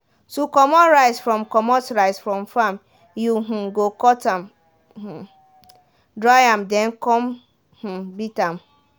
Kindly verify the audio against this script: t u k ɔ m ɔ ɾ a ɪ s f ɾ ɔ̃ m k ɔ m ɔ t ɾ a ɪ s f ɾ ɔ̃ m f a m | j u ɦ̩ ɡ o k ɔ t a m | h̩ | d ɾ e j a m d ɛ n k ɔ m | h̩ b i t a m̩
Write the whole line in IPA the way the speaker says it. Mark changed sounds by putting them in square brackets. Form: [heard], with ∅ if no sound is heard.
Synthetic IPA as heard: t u k ɔ m ɔ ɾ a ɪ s f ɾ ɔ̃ m k ɔ m ɔ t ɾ a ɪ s f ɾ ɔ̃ m f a m | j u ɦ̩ ɡ o k ɔ t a m | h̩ | d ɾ [a] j a m d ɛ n k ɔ m | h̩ b i t a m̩